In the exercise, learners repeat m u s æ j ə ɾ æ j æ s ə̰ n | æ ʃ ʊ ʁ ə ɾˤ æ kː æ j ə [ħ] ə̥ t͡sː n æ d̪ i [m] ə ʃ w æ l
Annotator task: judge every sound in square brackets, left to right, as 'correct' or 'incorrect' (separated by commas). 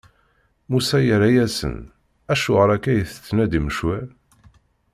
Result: incorrect, correct